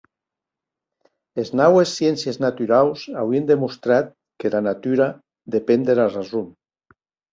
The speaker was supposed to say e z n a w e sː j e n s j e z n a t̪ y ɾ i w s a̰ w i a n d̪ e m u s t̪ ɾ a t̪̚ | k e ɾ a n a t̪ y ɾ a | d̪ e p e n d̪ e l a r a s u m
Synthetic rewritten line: e z n a w e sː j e n s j e z n a t̪ y ɾ a w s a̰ w i e n d̪ e m u s t̪ ɾ a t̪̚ | k e l a n a t̪ y ɾ a | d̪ e p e n d̪ e l a r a z u m

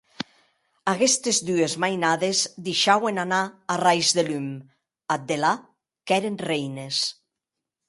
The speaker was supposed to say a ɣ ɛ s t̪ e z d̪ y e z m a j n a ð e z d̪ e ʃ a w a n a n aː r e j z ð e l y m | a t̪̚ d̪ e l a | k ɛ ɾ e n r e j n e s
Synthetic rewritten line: a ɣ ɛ s t̪ e z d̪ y e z m a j n a ð e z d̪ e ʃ a w e n a n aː r a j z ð e l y m | a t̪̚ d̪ e l a | k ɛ ɾ e n r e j n e s

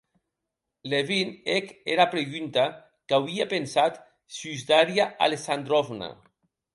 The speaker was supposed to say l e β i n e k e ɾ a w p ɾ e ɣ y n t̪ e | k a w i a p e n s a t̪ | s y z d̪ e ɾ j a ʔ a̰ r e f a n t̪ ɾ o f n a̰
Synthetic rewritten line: l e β i n e k e ɾ a p ɾ e ɣ y n t̪ a | k a w i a p e n s a t̪ | s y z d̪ a ɾ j a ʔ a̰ l e s a n d̪ ɾ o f n a̰

